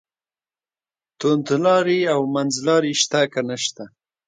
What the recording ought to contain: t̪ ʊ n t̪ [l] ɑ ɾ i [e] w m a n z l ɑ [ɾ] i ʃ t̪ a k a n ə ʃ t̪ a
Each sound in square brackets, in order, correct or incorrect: correct, incorrect, correct

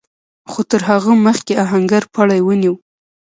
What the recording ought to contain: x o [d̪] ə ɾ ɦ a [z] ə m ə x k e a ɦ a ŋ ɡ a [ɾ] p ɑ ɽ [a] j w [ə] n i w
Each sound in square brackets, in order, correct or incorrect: incorrect, incorrect, correct, correct, correct

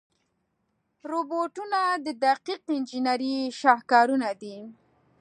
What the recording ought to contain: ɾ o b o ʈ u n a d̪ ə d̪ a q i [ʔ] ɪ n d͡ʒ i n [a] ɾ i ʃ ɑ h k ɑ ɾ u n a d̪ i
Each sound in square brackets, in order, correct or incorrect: incorrect, correct

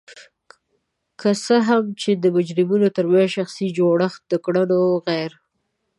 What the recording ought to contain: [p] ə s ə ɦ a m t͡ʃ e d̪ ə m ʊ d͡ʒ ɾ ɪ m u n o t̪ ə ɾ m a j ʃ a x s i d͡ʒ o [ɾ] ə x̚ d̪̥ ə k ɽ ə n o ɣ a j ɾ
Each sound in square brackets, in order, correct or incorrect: incorrect, incorrect

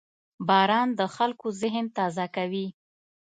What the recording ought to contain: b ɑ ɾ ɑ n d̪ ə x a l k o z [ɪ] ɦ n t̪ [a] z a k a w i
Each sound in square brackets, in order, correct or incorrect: correct, incorrect

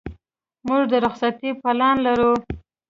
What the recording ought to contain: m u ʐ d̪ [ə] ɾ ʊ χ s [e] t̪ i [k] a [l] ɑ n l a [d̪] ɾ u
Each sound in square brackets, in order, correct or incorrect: correct, incorrect, incorrect, correct, incorrect

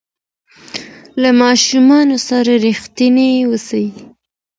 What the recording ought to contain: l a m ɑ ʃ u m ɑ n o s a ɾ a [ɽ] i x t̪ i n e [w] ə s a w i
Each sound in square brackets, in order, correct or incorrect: incorrect, correct

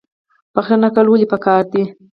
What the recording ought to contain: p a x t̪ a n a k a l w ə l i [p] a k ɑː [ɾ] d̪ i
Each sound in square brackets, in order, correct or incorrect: correct, correct

